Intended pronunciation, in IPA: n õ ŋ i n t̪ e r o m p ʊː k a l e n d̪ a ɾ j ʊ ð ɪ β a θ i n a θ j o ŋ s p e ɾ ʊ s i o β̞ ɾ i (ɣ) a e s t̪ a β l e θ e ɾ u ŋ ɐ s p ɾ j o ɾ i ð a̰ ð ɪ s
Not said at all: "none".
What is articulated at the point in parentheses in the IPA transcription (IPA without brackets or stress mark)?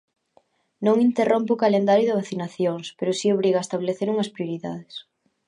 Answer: ɣ